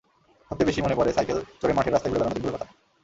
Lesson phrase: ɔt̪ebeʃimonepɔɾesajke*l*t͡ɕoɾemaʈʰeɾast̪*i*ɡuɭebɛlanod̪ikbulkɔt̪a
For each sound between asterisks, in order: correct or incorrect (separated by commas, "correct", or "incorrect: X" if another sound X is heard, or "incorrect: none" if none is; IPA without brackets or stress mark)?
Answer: correct, incorrect: a